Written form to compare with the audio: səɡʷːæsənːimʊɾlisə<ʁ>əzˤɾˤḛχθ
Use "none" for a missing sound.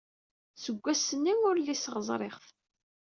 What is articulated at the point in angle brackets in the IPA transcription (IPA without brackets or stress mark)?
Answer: ʁ